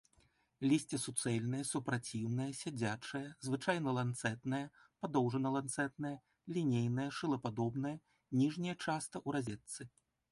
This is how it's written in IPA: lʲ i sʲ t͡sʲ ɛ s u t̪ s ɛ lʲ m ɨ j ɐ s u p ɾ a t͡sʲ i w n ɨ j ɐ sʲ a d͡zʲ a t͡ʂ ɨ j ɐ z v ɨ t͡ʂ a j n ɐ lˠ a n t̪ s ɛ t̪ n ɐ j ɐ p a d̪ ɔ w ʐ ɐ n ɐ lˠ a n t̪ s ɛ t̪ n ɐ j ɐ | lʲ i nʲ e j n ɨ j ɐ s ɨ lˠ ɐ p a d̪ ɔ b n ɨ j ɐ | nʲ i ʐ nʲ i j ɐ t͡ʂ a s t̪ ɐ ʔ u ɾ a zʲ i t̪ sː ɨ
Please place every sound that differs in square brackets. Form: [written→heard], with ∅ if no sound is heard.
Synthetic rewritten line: lʲ i sʲ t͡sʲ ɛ s u t̪ s ɛ lʲ [m→n] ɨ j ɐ s u p ɾ a t͡sʲ i w n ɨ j ɐ sʲ a d͡zʲ a t͡ʂ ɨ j ɐ z v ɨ t͡ʂ a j n ɐ lˠ a n t̪ s ɛ t̪ n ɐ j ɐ p a d̪ ɔ w ʐ ɐ n ɐ lˠ a n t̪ s ɛ t̪ n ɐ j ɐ | lʲ i nʲ e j n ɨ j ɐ [s→ʂ] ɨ lˠ ɐ p a d̪ ɔ b n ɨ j ɐ | nʲ i ʐ nʲ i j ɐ t͡ʂ a s t̪ ɐ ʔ u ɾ a zʲ [i→ɛ] t̪ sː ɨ